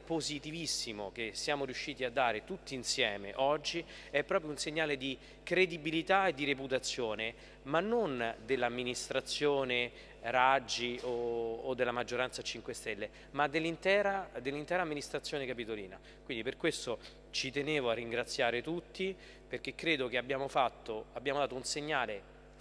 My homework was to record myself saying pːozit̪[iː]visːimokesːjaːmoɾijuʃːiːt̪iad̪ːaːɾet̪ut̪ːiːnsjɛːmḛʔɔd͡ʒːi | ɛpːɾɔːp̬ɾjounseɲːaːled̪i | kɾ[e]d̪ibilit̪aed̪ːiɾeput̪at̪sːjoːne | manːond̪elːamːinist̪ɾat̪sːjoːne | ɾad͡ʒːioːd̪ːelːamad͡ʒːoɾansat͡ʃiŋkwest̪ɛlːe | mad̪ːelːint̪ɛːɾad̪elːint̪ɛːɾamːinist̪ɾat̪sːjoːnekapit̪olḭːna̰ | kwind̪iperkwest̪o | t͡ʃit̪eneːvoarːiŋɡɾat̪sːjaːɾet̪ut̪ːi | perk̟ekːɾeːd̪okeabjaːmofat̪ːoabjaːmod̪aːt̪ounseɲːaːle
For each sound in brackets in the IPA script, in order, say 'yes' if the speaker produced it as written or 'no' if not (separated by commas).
no, yes